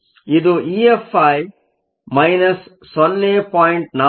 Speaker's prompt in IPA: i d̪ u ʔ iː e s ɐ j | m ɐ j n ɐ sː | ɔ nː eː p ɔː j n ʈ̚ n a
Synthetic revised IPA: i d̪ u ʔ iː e f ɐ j | m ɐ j n ɐ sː | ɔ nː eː p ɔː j ɳ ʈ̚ n a